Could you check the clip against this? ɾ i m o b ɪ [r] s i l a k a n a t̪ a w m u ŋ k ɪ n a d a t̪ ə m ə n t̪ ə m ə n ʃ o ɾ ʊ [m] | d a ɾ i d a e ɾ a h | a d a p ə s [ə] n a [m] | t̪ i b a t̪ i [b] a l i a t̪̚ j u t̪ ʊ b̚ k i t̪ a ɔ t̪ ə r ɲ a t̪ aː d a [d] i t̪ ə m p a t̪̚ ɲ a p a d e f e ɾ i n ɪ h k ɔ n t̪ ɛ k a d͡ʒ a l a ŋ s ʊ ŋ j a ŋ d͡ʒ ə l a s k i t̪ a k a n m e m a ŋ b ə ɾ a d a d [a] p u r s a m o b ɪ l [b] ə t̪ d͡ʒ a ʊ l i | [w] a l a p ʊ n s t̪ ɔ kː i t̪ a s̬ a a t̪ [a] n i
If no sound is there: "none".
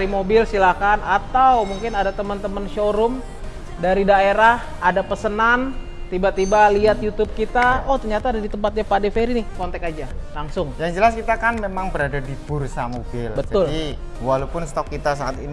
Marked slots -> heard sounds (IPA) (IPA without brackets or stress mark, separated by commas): l, m, ə, n, b, d, i, b, w, i